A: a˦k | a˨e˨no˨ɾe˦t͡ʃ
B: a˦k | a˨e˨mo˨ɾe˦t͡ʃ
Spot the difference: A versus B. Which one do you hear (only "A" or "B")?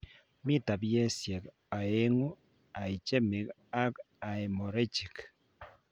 B